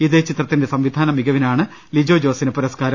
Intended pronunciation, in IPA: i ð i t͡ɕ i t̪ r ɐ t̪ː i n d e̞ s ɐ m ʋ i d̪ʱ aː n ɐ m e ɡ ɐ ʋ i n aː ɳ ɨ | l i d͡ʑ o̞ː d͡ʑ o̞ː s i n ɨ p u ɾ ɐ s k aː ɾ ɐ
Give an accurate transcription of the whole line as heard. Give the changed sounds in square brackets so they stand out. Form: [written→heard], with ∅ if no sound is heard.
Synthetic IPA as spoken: i ð [i→e] t͡ɕ i t̪ r ɐ t̪ː i n d e̞ s ɐ m ʋ i d̪ʱ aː n ɐ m [e→i] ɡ ɐ ʋ i n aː ɳ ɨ | l i d͡ʑ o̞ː d͡ʑ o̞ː s i n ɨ p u ɾ ɐ s k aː ɾ ɐ